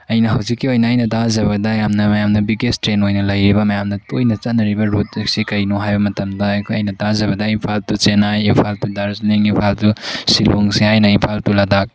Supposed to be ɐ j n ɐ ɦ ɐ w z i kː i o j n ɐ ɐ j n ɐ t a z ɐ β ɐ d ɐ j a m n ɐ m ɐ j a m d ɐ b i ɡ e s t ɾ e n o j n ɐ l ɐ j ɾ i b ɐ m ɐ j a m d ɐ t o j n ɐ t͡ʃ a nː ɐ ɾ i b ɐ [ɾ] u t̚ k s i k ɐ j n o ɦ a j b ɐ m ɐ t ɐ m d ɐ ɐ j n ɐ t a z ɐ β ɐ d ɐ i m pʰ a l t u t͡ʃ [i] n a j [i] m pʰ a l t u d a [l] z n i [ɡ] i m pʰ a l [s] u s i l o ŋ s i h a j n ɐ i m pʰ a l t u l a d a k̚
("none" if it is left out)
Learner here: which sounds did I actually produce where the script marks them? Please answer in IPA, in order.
ɾ, e, i, ɾ, ŋ, t

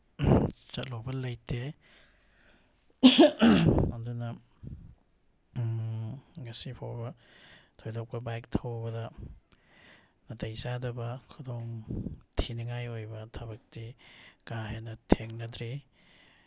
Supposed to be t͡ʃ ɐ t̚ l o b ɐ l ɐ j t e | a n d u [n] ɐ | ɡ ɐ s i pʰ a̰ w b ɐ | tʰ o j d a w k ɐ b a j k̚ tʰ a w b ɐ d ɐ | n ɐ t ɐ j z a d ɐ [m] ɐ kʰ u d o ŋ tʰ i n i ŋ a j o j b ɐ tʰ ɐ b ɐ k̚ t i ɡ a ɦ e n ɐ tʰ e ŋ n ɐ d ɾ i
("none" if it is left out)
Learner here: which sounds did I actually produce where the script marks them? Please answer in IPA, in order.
n, b

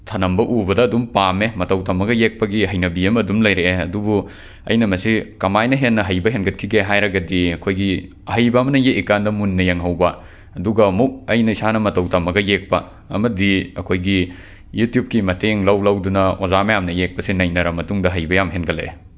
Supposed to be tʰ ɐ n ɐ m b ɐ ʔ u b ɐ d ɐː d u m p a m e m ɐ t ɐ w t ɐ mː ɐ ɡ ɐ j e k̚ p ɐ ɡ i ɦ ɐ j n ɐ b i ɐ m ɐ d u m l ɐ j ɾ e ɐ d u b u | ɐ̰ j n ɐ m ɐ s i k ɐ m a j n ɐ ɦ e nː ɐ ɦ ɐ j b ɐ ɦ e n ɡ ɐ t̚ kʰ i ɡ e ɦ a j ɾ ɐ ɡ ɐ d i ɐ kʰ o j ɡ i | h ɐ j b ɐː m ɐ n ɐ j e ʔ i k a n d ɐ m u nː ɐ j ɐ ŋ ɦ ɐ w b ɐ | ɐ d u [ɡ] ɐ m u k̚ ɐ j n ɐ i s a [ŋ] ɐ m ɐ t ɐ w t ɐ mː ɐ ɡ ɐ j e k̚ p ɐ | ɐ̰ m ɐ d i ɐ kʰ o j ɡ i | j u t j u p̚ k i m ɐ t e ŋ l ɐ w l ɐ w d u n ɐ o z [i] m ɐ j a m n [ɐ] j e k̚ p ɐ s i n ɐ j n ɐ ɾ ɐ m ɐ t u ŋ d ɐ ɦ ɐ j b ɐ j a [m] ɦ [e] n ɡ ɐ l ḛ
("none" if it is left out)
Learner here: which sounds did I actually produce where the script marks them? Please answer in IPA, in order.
ɡ, n, a, ɐ, m, e

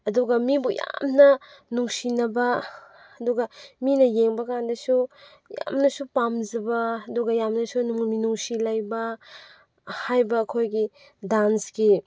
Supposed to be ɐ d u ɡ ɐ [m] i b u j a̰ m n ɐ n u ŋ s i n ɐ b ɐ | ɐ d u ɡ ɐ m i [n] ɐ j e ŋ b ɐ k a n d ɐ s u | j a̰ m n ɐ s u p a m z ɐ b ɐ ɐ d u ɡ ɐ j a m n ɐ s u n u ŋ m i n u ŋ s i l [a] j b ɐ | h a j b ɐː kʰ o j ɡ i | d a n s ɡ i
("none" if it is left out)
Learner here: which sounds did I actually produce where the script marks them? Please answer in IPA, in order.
m, n, a

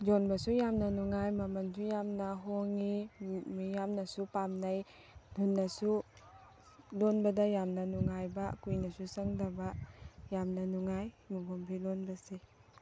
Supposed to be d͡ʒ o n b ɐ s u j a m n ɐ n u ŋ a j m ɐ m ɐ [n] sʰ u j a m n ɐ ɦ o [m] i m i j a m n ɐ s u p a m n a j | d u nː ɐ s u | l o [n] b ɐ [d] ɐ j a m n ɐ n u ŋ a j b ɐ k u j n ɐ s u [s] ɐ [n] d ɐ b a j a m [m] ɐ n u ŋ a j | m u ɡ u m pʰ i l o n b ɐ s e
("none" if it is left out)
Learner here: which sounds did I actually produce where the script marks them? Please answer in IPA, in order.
n, ŋ, n, d, s, ŋ, n

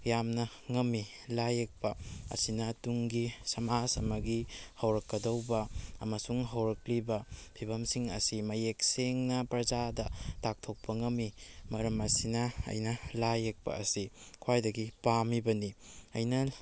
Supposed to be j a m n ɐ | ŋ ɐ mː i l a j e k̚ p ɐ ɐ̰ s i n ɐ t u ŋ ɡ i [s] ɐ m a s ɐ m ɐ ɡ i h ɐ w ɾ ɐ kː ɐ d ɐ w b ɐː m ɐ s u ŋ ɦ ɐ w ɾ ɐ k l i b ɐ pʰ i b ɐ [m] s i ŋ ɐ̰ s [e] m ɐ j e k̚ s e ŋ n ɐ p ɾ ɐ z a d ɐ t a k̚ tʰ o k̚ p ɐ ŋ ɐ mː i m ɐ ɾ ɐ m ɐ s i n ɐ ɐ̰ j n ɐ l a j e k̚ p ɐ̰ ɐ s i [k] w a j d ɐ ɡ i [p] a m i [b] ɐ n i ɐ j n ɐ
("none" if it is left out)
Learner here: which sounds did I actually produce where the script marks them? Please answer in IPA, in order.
s, m, i, kʰ, p, b

